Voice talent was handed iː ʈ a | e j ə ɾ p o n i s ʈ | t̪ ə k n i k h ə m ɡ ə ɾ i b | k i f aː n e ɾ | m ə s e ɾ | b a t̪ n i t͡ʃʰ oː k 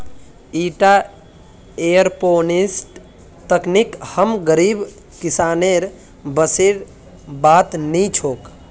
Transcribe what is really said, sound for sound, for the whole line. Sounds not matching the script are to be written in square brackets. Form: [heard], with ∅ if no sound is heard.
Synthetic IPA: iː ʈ a | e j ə ɾ p o n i s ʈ | t̪ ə k n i k h ə m ɡ ə ɾ i b | k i [s] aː n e ɾ | [b] ə s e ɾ | b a t̪ n i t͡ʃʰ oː k

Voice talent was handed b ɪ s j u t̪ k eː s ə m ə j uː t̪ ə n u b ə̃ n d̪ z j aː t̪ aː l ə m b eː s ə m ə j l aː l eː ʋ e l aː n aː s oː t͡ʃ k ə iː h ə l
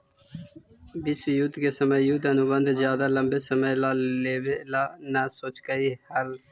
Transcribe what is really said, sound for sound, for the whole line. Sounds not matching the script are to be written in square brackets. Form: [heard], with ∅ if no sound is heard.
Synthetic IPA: b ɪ s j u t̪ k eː s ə m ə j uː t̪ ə n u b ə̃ n d̪ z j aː [d̪] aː l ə m b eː s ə m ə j l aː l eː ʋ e l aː n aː s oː t͡ʃ k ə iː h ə l

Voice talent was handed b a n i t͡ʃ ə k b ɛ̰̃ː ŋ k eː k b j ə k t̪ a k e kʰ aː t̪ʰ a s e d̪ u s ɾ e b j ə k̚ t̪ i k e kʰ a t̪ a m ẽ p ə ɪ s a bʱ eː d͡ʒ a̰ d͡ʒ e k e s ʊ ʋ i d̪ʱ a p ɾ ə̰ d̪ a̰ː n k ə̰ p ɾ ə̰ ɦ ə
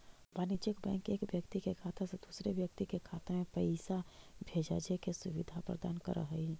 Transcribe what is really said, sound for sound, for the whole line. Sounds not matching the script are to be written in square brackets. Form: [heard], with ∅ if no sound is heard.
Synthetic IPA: b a n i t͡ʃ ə k b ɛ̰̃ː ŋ k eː k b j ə k t̪ [i] k e kʰ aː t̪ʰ a s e d̪ u s ɾ e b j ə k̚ t̪ i k e kʰ a t̪ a m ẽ p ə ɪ s a bʱ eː d͡ʒ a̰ d͡ʒ e k e s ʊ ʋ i d̪ʱ a p ɾ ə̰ d̪ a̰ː n k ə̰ [∅] ɾ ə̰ ɦ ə

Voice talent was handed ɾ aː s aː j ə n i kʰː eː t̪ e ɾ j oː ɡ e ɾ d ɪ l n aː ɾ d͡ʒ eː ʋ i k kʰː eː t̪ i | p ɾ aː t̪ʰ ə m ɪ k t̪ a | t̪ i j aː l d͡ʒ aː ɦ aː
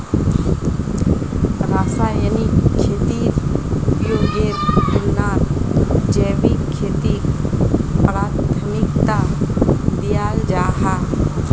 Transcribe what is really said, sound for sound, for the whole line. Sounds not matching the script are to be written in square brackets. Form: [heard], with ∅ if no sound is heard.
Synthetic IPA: ɾ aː s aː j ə n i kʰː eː t̪ [i] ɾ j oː ɡ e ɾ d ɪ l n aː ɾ d͡ʒ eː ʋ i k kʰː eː t̪ i | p ɾ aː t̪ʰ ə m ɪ k t̪ a | [d̪] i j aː l d͡ʒ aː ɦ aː

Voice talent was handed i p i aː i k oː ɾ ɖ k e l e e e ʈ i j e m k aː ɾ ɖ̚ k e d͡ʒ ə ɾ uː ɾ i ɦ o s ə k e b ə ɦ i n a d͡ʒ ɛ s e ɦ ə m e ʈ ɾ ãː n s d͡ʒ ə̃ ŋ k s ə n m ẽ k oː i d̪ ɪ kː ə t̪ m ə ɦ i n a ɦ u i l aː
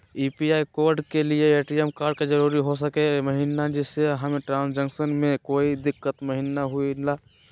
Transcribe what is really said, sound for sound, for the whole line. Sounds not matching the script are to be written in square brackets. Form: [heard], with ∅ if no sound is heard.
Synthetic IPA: i p i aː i k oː ɾ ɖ k e l [i] e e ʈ i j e m k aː ɾ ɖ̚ k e d͡ʒ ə ɾ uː ɾ i ɦ o s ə k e [m] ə ɦ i n a d͡ʒ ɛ s e ɦ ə m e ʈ ɾ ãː n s d͡ʒ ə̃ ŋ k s ə n m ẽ k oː i d̪ ɪ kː ə t̪ m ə ɦ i n a ɦ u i l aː

